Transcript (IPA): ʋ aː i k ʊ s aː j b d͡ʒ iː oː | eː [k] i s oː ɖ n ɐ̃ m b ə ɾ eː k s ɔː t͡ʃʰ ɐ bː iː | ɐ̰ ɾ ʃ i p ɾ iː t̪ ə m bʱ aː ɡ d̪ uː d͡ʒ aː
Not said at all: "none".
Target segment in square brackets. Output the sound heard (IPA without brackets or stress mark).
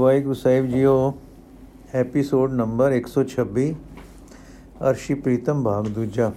p